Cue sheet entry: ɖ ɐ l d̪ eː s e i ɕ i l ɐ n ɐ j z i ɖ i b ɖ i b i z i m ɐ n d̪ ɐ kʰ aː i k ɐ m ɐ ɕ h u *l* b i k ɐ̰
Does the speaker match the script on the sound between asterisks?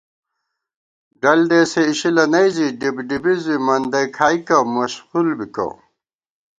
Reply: yes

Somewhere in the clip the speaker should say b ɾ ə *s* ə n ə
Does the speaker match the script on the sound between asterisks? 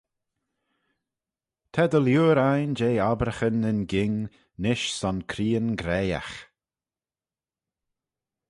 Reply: no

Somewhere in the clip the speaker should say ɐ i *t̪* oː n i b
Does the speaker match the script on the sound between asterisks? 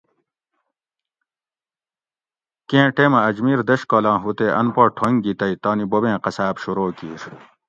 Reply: yes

